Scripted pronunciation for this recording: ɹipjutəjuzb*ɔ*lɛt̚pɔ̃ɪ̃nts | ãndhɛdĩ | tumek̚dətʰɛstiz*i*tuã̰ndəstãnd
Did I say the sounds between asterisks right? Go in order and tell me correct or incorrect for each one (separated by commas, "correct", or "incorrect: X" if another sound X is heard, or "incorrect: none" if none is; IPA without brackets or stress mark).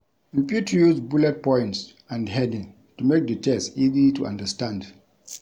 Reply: incorrect: u, correct